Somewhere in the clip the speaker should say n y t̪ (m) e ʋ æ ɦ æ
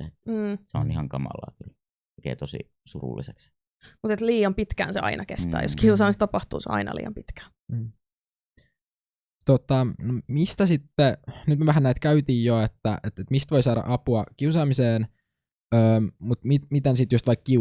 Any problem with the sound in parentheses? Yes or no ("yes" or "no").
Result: no